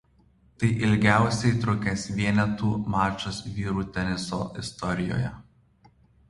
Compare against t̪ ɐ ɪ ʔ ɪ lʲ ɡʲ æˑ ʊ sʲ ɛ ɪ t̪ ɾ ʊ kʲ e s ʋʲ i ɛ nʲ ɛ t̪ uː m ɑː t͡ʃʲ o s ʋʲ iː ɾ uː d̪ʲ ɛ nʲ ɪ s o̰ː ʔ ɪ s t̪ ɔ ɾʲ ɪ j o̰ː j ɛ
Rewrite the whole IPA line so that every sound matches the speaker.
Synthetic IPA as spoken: t̪ ɐ ɪ ʔ ɪ lʲ ɡʲ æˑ ʊ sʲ ɛ ɪ t̪ ɾ ʊ kʲ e s ʋʲ i ɛ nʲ ɛ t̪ uː m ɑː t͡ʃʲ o s ʋʲ iː ɾ uː t̪ʲ ɛ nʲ ɪ s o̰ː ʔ ɪ s t̪ ɔ ɾʲ ɪ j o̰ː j ɛ